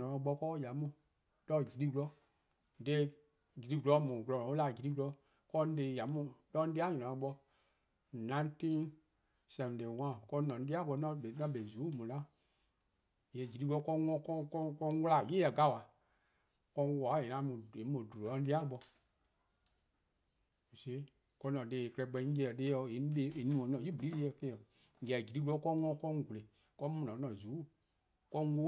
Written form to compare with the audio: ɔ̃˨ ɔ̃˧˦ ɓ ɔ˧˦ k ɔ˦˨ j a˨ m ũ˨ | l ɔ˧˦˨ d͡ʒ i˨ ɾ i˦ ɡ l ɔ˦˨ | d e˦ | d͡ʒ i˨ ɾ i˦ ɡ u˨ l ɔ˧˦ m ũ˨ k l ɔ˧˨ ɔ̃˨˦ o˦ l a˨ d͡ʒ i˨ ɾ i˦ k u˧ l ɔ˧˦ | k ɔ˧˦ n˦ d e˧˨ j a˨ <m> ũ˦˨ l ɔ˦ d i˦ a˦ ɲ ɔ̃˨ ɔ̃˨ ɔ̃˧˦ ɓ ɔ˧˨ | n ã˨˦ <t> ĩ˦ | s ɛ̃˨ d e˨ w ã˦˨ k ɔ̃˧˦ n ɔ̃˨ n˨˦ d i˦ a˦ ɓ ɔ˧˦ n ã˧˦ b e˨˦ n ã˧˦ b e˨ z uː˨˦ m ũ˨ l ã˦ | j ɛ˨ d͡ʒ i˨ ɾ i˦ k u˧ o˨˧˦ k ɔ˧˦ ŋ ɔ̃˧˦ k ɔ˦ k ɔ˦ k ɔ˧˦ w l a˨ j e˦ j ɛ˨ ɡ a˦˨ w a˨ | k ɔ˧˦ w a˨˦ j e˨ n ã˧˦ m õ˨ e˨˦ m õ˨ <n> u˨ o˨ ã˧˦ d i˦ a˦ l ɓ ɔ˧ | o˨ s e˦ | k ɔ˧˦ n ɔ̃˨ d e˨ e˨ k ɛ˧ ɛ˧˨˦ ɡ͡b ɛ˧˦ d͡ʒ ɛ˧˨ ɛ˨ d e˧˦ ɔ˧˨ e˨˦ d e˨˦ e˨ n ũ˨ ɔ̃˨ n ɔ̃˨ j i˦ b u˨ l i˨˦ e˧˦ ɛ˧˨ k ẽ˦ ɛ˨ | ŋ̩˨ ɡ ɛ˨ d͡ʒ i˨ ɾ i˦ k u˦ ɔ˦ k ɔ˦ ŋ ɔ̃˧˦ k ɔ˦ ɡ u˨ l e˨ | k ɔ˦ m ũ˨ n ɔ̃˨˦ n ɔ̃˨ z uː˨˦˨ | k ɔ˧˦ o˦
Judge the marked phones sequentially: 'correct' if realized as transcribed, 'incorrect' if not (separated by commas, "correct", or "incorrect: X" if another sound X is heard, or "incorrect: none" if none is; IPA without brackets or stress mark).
correct, correct, incorrect: d